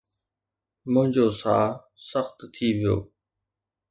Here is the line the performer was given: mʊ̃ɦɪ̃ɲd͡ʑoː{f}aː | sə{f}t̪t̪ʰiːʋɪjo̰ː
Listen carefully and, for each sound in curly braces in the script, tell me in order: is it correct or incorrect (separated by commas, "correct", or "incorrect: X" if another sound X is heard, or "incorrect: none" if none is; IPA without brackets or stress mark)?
incorrect: s, incorrect: x